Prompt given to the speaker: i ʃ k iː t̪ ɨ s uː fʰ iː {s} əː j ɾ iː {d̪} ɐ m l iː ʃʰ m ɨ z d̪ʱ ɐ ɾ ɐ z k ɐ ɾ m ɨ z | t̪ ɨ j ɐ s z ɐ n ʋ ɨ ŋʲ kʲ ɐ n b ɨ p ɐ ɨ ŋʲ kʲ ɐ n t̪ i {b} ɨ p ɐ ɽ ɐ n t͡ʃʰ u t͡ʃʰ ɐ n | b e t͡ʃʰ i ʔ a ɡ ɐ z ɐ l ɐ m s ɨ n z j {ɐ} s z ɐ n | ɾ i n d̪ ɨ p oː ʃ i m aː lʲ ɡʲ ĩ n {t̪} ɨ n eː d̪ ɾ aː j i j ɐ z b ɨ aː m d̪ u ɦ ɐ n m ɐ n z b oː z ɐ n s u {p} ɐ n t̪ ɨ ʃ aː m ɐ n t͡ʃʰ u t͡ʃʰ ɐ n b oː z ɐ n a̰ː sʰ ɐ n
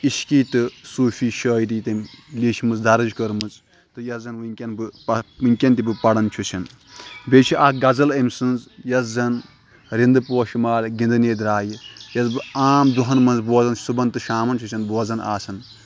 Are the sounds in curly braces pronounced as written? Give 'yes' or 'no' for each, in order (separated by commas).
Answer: no, no, yes, yes, no, no